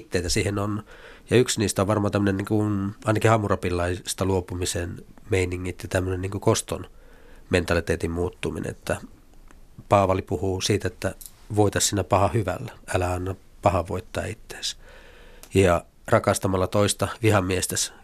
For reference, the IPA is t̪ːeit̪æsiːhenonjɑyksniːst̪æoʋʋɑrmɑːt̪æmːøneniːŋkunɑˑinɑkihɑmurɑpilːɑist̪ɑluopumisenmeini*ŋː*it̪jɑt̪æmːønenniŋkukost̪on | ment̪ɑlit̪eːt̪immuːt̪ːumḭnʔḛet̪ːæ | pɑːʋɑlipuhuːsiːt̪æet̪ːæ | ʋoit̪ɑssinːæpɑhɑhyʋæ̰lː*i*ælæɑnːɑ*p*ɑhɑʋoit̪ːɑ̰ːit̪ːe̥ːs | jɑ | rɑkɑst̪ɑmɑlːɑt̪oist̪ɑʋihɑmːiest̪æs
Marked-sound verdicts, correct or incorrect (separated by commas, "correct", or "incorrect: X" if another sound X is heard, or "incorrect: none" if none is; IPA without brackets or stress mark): correct, incorrect: æ, correct